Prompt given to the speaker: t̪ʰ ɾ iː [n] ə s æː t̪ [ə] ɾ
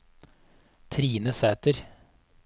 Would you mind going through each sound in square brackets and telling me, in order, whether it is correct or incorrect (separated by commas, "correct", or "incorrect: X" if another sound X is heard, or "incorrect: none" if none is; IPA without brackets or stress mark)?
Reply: correct, correct